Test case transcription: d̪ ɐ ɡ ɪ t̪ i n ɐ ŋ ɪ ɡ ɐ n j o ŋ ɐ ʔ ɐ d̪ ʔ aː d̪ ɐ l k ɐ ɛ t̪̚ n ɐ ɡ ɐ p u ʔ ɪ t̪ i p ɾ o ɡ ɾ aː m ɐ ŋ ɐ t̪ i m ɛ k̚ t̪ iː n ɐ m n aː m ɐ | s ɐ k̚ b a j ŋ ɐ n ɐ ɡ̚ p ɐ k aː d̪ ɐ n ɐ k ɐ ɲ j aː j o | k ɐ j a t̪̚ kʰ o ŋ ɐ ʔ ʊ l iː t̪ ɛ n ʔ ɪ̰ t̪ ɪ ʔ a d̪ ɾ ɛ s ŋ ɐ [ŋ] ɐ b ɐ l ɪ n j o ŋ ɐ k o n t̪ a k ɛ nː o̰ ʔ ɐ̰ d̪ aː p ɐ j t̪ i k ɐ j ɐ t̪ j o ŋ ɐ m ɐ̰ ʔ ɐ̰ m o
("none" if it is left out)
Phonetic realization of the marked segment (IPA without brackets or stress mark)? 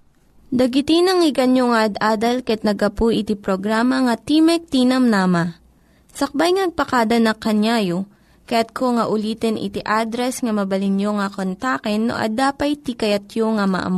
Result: m